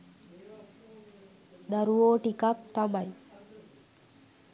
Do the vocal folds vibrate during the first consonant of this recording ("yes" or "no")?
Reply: yes